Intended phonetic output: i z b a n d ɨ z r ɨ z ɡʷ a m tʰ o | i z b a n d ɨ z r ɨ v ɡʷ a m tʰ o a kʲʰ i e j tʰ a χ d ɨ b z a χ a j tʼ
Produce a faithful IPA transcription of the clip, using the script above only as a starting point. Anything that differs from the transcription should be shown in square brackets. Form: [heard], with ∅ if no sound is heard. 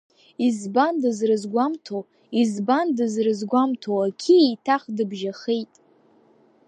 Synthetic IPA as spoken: i z b a n d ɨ z r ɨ z ɡʷ a m tʰ o | i z b a n d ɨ z r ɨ [z] ɡʷ a m tʰ o a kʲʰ i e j tʰ a χ d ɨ b [ʒ] a χ [e] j tʼ